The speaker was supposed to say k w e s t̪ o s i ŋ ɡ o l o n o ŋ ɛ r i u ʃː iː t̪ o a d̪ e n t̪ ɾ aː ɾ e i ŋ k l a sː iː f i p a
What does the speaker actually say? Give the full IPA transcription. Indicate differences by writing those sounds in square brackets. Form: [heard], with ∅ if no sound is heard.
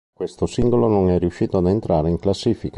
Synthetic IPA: k w e s t̪ o s i ŋ ɡ o l o n o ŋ ɛ r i u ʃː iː t̪ o a d̪ e n t̪ ɾ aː ɾ e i ŋ k l a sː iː f i [k] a